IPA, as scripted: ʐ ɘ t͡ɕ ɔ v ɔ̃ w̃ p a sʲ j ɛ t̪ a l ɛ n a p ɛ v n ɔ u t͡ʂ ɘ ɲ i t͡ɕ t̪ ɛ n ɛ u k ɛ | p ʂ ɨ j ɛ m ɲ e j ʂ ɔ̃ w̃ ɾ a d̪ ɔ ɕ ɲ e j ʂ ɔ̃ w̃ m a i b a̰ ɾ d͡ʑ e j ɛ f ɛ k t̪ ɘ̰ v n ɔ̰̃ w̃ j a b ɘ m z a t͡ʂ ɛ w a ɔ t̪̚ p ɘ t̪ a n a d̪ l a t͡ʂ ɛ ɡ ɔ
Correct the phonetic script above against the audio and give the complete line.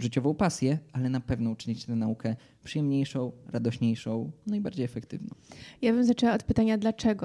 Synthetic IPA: ʐ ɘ t͡ɕ ɔ v ɔ̃ w̃ p a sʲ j ɛ a l ɛ n a p ɛ v n ɔ u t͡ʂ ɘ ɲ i t͡ɕ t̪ ɛ n a u k ɛ | p ʂ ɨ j ɛ m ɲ e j ʂ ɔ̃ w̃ ɾ a d̪ ɔ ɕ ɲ e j ʂ ɔ̃ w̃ n a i b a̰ ɾ d͡ʑ e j ɛ f ɛ k t̪ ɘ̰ v n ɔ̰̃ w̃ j a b ɘ m z a t͡ʂ ɛ w a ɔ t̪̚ p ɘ t̪ a ɲ a d̪ l a t͡ʂ ɛ ɡ ɔ